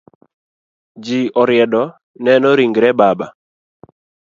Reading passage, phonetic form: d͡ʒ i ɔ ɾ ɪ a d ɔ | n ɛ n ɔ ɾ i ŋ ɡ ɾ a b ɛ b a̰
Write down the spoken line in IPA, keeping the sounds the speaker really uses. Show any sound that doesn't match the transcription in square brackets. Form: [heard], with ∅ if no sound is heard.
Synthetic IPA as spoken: d͡ʒ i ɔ ɾ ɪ [ɛ] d ɔ | n ɛ n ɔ ɾ i ŋ ɡ ɾ [ɛ] b [a] b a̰